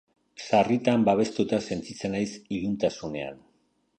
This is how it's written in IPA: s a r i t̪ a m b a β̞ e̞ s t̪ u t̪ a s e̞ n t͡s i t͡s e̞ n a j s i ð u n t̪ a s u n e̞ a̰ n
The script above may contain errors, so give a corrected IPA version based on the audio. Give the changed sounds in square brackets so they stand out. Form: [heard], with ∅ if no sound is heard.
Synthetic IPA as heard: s a r i t̪ a m b a β̞ e̞ s t̪ u t̪ a s e̞ n t͡s i t͡s e̞ n a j s i ð u n t̪ a s u n e̞ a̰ n